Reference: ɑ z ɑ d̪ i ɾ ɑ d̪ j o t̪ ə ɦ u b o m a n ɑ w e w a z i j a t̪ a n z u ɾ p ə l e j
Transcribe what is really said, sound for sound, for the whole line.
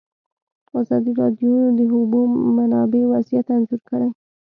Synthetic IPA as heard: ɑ z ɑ d̪ i ɾ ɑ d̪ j o d̪ ə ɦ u b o m a n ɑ b e w a z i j a t̪ a n z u ɾ k ə ɽ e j